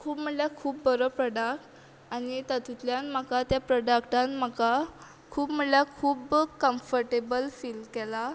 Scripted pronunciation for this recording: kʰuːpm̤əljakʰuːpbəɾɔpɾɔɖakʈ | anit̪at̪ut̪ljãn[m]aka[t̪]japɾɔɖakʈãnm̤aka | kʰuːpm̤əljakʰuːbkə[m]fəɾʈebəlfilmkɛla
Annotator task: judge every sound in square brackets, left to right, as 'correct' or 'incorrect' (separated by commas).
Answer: correct, correct, correct